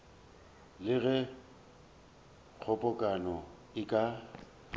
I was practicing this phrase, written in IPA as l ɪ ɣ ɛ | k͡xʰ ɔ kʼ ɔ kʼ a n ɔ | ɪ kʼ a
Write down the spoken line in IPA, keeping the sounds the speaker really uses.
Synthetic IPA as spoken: l ɪ ɣ ɛ | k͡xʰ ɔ pʼ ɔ kʼ a n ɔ | ɪ kʼ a